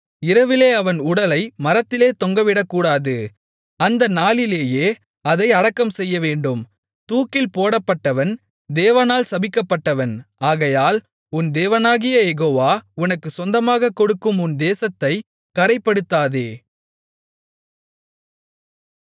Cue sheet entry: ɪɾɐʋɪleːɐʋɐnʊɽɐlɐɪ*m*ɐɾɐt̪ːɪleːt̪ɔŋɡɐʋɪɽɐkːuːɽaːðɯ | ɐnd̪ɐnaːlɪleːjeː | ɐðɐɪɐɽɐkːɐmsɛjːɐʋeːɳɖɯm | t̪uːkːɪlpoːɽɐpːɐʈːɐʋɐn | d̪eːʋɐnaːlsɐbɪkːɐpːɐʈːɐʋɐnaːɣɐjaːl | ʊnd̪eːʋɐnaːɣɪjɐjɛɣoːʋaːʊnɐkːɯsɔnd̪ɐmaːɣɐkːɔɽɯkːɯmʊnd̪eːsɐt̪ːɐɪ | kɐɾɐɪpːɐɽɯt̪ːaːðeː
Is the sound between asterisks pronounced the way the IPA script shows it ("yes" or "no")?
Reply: yes